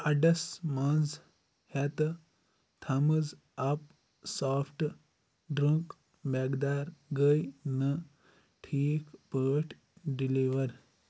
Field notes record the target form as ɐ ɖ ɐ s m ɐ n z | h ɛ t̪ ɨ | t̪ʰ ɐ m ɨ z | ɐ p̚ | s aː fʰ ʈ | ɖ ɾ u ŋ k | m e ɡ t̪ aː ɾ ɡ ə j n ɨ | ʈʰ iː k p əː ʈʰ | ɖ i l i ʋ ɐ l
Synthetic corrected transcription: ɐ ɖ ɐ s m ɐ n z | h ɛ t̪ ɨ | t̪ʰ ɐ m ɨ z | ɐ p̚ | s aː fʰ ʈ | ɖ ɾ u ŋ k | m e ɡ d̪ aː ɾ ɡ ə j n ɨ | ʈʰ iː k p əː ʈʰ | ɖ i l i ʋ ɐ ɾ